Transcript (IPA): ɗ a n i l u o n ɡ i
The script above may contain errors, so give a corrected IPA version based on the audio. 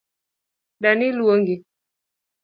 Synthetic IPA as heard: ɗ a n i l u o ŋ ɡ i